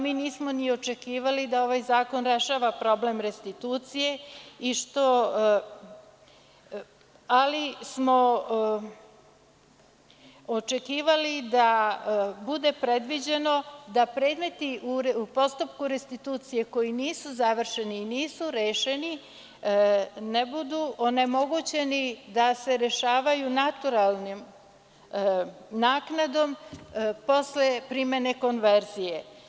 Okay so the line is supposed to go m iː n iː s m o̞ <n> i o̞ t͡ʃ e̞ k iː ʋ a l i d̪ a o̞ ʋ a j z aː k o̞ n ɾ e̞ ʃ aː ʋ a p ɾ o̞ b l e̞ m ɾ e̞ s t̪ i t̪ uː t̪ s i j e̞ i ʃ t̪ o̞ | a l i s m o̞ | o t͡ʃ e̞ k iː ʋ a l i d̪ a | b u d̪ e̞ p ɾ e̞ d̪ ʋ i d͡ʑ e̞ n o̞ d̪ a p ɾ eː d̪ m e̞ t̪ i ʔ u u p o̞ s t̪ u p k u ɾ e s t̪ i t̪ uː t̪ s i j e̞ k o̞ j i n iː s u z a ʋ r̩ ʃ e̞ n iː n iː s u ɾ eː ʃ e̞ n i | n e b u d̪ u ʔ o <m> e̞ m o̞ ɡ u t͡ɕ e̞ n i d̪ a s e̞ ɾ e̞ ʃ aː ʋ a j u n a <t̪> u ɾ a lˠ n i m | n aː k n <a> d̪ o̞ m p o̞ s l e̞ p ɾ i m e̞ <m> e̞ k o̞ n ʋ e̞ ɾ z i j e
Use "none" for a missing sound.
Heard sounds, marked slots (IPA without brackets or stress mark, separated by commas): n, n, t̪, a, n